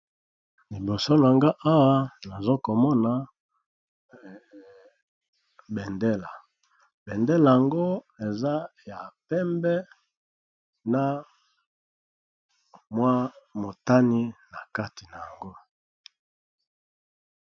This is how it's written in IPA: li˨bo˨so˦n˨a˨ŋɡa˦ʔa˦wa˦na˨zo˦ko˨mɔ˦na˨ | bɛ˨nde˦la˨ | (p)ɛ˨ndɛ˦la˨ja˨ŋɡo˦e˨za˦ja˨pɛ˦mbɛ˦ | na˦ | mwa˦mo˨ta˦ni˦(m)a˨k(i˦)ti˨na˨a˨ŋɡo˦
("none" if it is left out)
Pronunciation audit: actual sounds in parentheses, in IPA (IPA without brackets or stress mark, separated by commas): b, n, a˦